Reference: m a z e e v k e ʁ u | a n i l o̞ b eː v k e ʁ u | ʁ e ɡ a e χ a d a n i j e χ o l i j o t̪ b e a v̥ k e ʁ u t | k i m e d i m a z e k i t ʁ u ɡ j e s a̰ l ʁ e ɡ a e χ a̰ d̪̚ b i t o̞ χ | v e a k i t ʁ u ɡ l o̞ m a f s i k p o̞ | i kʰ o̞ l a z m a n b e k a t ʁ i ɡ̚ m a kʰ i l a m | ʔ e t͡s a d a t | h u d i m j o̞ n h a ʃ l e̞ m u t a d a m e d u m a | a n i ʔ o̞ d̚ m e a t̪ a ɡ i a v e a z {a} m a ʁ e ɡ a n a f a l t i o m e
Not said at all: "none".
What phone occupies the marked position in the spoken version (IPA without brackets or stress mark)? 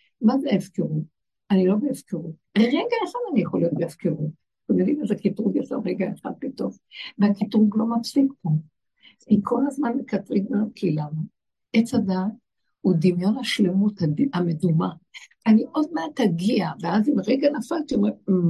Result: i